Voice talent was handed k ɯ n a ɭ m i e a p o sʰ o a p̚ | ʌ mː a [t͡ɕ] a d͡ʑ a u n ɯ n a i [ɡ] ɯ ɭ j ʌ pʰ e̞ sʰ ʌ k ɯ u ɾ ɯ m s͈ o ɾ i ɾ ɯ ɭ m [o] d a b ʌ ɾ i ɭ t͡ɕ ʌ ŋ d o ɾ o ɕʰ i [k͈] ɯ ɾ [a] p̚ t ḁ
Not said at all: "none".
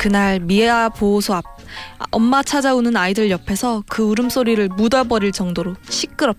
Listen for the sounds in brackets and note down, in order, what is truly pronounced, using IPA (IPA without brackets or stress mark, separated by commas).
t͡ɕʰ, d, u, k͈, ʌ